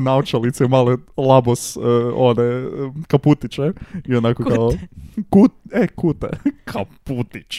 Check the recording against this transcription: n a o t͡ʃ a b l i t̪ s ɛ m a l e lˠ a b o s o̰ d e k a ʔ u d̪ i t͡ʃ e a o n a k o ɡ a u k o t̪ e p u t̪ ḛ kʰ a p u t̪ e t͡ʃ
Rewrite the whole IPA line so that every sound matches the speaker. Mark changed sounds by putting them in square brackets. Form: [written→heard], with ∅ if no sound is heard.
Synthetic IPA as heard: n a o t͡ʃ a [b→∅] l i t̪ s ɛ m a l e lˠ a b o s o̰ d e k a [ʔ→p] u [d̪→t̪] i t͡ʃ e [a→i] o n a k o [ɡ→k] a [u→o] k [o→u] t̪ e [p→k] u t̪ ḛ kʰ a p u t̪ [e→i] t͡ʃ